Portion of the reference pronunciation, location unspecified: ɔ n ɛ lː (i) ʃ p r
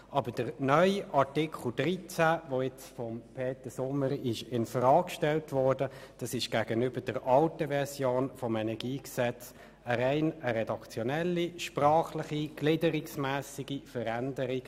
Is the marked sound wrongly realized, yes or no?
no